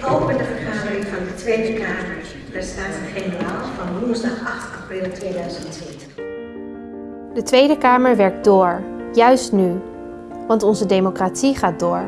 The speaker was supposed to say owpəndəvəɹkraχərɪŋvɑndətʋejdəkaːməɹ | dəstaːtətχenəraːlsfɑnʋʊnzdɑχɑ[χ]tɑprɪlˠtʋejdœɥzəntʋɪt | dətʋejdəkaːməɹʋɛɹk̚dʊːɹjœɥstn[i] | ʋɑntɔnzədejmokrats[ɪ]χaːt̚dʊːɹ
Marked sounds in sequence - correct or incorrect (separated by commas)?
correct, incorrect, incorrect